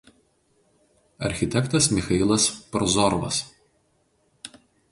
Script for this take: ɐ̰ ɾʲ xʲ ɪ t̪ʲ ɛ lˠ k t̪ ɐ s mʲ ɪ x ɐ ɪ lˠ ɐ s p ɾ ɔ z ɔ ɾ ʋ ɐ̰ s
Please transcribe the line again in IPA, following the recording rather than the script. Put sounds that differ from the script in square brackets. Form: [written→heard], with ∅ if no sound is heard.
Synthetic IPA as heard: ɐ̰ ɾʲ xʲ ɪ t̪ʲ ɛ [lˠ→∅] k t̪ ɐ s mʲ ɪ x ɐ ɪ lˠ ɐ s p ɾ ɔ z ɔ ɾ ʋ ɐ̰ s